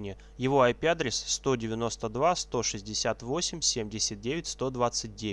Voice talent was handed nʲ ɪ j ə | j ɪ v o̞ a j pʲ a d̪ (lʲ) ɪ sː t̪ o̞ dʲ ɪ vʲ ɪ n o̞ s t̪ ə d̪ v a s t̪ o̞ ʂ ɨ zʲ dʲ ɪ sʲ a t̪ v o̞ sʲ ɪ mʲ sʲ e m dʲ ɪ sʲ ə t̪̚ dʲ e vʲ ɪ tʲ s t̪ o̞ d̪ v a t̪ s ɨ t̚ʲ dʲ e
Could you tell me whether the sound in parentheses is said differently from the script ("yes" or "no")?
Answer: yes